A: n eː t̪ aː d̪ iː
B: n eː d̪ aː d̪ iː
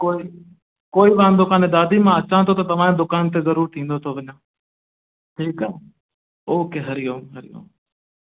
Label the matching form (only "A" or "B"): B